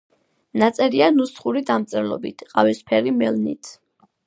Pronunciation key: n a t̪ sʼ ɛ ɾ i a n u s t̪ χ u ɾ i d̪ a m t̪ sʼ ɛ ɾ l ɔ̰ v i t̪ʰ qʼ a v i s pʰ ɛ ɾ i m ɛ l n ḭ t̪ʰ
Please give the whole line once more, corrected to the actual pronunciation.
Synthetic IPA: n a t̪ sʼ ɛ ɾ i a n u s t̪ χ u ɾ i d̪ a m t̪ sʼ ɛ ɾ l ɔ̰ b i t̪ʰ qʼ a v i s pʰ ɛ ɾ i m ɛ l n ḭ t̪ʰ